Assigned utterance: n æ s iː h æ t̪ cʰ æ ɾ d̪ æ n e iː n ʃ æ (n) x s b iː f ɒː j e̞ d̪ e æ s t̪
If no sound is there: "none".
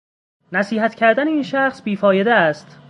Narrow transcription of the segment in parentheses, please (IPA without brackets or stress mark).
none